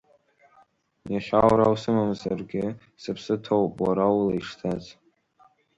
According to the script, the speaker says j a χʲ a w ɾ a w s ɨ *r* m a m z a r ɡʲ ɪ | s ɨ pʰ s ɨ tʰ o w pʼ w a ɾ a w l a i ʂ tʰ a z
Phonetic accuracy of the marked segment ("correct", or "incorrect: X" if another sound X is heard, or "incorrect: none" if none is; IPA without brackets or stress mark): incorrect: none